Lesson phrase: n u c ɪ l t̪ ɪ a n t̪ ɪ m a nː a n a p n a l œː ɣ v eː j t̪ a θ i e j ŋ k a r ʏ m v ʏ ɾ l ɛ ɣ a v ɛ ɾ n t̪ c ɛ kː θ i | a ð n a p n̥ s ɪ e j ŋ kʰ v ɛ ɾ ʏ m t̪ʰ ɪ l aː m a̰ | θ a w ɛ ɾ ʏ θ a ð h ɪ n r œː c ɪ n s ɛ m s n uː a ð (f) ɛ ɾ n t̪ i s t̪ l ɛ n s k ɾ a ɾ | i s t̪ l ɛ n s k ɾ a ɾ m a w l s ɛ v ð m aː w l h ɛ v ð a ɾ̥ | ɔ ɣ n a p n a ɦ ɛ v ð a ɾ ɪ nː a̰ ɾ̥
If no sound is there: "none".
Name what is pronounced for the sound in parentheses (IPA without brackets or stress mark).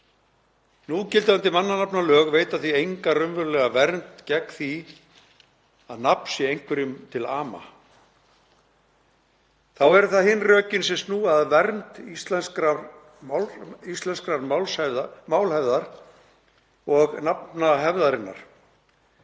v